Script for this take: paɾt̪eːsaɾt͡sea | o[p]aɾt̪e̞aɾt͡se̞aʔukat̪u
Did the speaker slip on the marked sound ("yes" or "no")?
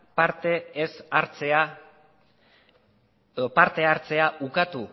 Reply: no